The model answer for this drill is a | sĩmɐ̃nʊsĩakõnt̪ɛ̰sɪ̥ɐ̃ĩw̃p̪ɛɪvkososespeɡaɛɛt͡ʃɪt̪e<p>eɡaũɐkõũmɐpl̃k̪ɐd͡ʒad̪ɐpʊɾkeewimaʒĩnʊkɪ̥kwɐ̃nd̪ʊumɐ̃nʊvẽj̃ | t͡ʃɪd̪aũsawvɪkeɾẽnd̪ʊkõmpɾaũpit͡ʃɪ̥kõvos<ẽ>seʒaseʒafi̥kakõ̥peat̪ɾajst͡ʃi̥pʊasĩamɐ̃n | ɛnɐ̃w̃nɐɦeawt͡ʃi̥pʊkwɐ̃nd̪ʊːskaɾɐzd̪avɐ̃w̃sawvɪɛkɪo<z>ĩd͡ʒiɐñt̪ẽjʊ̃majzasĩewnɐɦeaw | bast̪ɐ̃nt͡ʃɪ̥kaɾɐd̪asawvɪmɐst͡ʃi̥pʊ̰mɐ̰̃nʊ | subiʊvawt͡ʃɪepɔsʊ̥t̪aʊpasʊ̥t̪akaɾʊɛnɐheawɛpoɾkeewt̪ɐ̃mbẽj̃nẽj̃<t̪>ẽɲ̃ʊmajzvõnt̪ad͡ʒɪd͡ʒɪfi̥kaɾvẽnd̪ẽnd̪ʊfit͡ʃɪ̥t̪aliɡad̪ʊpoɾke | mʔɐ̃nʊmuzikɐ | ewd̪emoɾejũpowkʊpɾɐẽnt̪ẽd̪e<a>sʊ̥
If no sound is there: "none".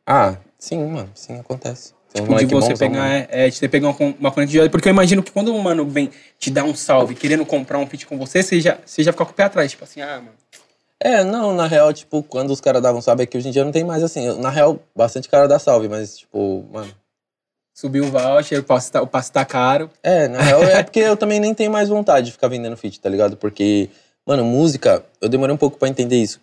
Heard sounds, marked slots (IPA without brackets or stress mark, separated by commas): p, e, ʒ, t̪, i